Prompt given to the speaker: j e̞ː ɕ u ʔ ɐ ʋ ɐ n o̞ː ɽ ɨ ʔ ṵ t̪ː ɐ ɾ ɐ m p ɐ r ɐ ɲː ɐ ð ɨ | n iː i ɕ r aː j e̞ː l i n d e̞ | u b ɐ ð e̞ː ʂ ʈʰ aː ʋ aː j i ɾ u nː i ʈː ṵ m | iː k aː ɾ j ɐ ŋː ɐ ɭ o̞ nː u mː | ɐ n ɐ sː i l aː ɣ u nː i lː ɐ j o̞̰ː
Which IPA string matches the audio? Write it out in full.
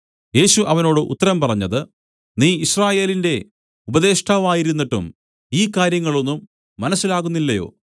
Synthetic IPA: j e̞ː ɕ u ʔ ɐ ʋ ɐ n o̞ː ɽ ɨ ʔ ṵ t̪ː ɐ ɾ ɐ m p ɐ r ɐ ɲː ɐ ð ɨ | n iː i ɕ r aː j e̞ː l i n d e̞ | u b ɐ ð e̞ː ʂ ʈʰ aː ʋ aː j i ɾ u nː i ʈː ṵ m | iː k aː ɾ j ɐ ŋː ɐ ɭ o̞ nː u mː | ɐ n ɐ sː i l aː ɣ u nː i lː ɐ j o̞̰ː